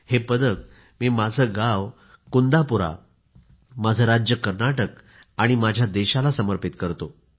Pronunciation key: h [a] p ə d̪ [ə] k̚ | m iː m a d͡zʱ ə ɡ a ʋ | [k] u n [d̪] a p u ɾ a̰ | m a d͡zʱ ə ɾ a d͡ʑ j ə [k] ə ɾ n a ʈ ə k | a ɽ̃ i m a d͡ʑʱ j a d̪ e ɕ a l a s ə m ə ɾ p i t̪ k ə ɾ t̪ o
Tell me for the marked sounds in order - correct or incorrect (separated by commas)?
incorrect, correct, correct, correct, correct